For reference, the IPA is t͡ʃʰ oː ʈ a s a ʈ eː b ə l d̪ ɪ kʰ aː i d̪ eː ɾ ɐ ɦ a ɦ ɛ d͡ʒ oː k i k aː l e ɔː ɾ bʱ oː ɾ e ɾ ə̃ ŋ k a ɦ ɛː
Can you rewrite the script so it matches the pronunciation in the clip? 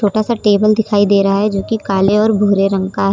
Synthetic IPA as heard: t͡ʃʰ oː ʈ a s a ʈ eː b ə l d̪ ɪ kʰ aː i d̪ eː ɾ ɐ ɦ a ɦ ɛ d͡ʒ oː k i k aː l e ɔː ɾ bʱ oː ɾ e ɾ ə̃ ŋ k a ɦ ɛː